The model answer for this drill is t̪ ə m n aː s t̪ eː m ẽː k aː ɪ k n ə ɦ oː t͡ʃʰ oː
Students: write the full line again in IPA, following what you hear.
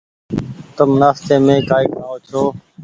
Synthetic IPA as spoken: t̪ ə m n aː s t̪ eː m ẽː k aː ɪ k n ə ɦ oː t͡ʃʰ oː